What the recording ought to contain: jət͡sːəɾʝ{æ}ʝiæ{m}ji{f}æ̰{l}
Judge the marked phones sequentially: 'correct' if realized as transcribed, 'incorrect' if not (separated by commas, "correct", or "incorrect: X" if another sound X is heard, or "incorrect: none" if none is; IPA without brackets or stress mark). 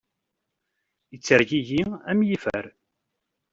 incorrect: i, correct, correct, incorrect: ɾ